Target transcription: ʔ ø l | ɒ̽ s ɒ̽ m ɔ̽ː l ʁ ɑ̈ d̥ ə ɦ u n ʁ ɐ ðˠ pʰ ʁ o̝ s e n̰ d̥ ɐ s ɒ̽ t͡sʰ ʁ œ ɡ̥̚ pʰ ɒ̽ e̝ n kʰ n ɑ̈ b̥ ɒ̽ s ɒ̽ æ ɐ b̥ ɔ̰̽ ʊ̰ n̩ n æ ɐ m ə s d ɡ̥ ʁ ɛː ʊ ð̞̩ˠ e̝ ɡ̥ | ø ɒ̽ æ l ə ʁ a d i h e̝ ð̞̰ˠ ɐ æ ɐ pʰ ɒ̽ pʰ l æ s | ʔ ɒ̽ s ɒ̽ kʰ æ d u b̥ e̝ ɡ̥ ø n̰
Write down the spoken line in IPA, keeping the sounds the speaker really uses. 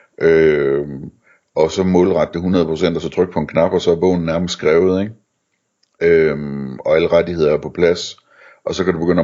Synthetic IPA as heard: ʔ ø | ɒ̽ s ɒ̽ m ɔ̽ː l ʁ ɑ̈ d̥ ə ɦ u n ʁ ɐ ðˠ pʰ ʁ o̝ s e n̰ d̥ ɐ s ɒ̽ t͡sʰ ʁ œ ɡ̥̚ pʰ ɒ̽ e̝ n kʰ n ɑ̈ b̥ ɒ̽ s ɒ̽ æ ɐ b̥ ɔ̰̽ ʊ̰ n̩ n æ ɐ m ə s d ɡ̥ ʁ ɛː ʊ ð̞̩ˠ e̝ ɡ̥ | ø ɒ̽ æ l ə ʁ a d i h e̝ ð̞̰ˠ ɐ æ ɐ pʰ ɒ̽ pʰ l æ s | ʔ ɒ̽ s ɒ̽ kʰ æ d u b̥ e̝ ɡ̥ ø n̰